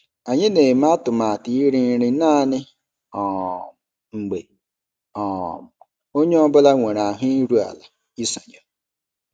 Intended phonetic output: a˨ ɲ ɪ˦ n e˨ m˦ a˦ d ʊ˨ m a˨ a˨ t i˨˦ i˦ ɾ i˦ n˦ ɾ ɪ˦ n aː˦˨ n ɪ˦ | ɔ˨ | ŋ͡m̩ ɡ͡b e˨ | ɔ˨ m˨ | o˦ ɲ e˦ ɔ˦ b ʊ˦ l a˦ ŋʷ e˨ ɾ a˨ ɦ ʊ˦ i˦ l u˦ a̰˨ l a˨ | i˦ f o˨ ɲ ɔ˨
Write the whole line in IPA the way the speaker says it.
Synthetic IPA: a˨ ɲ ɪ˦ n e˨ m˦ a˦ t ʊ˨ m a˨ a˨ t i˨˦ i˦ ɾ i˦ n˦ ɾ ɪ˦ n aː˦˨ n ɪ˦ | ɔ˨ | ŋ͡m̩ ɡ͡b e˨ | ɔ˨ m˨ | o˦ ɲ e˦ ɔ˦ b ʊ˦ l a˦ ŋʷ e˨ ɾ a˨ ɦ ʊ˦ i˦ ɾ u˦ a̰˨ l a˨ | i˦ s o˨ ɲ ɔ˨

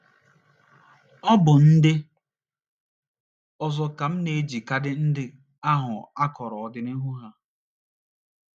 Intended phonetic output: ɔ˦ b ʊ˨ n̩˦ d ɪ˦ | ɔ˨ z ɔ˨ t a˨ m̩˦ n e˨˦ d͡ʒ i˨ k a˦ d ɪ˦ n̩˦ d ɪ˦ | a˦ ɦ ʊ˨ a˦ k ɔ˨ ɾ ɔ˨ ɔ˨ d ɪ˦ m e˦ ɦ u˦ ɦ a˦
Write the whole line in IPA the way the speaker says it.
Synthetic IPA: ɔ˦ b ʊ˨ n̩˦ d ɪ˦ | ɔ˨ z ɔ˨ k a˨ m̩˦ n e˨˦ d͡ʒ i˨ k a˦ d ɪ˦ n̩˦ d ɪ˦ | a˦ ɦ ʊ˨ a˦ k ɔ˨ ɾ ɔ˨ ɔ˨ d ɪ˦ n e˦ ɦ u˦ ɦ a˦

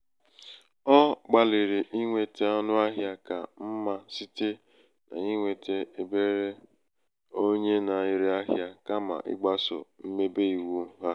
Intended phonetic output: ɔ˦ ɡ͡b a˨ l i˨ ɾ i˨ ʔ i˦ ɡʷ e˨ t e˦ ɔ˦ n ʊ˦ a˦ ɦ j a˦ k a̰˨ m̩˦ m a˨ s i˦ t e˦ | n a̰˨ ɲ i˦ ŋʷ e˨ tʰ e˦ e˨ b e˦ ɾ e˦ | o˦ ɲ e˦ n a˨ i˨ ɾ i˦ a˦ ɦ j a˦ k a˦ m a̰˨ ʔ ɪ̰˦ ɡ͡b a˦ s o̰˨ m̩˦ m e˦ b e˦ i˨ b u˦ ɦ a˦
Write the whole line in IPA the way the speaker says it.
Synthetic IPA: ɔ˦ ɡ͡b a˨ l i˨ ɾ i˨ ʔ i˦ ŋʷ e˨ t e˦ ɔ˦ n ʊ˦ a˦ ɦ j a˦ k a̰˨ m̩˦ m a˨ s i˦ t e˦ | n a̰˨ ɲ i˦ ŋʷ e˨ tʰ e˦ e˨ b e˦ ɾ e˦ | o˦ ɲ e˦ n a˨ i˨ ɾ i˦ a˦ ɦ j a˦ k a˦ m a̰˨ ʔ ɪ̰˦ ɡ͡b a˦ s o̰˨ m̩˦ m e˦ b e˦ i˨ w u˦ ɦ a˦

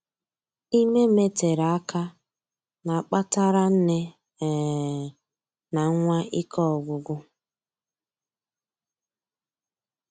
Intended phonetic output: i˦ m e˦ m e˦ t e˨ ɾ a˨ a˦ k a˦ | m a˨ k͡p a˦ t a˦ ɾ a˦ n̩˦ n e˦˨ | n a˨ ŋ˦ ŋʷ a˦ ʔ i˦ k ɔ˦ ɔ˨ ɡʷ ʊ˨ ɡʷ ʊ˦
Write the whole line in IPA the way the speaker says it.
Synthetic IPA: i˦ m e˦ m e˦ t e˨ ɾ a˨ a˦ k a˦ | n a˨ k͡p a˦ t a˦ ɾ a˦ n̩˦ n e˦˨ | n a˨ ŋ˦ ŋʷ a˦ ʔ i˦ k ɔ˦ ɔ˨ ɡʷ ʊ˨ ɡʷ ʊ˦

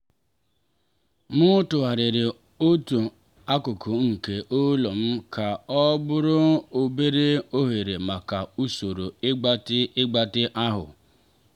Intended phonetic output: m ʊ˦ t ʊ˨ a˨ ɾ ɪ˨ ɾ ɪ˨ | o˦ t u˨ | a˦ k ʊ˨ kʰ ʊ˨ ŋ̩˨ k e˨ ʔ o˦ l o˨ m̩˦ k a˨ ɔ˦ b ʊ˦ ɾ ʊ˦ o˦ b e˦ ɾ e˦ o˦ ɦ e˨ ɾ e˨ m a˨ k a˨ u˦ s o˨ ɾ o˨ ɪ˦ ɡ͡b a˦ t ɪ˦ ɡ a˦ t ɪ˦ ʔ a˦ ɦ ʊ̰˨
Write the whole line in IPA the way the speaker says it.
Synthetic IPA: m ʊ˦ t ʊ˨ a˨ ɾ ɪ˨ ɾ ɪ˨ | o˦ t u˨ | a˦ k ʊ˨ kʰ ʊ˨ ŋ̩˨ k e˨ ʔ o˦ l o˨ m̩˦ k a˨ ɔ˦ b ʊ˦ ɾ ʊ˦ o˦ b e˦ ɾ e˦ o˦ ɦ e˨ ɾ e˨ m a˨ k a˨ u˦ s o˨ ɾ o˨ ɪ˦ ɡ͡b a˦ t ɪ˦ ɡ͡b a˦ t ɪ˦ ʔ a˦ ɦ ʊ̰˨

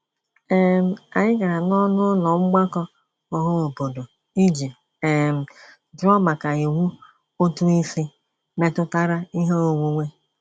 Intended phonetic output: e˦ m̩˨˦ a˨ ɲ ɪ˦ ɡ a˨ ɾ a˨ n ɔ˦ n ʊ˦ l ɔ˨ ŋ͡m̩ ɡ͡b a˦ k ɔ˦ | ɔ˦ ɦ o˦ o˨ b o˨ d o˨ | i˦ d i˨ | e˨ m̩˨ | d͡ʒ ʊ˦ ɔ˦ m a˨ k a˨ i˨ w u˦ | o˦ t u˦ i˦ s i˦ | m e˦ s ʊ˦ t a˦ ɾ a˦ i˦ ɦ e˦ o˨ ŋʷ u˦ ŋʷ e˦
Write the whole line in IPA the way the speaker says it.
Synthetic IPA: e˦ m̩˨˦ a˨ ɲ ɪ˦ ɡ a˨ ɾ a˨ n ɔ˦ n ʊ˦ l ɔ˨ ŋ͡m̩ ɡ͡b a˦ k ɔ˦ | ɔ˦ ɦ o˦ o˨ b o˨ d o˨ | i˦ d͡ʒ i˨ | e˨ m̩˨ | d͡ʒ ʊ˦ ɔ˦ m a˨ k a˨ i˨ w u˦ | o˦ t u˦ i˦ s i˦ | m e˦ t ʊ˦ t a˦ ɾ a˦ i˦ ɦ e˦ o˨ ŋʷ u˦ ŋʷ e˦

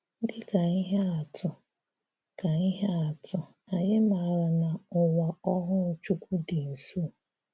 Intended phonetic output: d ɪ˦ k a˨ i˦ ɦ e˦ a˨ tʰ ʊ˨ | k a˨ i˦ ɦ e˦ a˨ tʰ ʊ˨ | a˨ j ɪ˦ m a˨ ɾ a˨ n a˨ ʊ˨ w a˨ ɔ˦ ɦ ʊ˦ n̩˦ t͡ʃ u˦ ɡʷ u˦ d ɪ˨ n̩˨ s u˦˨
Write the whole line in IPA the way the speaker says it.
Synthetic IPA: d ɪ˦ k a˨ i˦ ɦ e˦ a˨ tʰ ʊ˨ | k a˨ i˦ ɦ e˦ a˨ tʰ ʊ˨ | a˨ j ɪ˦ m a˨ ɾ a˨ n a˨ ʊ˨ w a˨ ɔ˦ ɦ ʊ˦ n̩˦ t͡ʃ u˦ kʷ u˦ d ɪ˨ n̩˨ s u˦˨

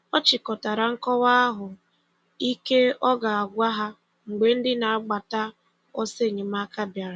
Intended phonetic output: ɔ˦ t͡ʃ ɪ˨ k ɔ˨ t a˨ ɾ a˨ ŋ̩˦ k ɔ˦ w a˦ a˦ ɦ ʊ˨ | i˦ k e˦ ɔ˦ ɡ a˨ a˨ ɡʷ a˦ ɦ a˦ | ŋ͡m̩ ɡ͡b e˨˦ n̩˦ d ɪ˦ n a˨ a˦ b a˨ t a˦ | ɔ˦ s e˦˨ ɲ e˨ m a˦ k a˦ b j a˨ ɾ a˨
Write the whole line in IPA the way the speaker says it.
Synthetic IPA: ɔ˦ t͡ʃ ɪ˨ k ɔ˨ t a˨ ɾ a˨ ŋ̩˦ k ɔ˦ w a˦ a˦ ɦ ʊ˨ | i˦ k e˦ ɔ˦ ɡ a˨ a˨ ɡʷ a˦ ɦ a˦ | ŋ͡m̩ ɡ͡b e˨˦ n̩˦ d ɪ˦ n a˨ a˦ ɡ͡b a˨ t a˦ | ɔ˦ s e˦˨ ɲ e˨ m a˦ k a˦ b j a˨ ɾ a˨

